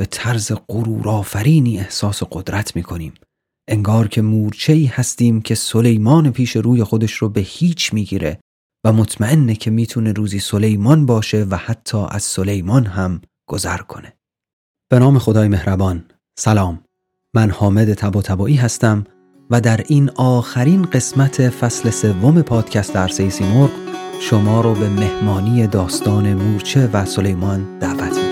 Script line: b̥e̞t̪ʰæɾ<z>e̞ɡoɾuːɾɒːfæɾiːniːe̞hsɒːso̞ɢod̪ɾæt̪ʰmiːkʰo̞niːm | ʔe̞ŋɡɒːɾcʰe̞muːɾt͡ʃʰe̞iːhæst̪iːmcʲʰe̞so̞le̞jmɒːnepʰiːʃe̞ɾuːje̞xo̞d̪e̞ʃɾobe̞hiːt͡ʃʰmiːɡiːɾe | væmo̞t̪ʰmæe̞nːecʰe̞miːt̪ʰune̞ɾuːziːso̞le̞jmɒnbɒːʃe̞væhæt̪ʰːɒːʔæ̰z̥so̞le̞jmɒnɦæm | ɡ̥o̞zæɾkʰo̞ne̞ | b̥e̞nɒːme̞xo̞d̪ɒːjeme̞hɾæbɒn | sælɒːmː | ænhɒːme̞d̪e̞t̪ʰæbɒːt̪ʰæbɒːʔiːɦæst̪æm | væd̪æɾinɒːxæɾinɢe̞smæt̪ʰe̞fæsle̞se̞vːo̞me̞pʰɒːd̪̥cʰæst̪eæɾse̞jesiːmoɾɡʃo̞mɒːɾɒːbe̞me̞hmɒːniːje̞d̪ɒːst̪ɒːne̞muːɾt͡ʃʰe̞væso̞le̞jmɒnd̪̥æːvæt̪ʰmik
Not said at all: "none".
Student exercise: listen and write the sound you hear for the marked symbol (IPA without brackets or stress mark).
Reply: z